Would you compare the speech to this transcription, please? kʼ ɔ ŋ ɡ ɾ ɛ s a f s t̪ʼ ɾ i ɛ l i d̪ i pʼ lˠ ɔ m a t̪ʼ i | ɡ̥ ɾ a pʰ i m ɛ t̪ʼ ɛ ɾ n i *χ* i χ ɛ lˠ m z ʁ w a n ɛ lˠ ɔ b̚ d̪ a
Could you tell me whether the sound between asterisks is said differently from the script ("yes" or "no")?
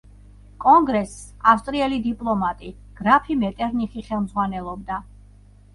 no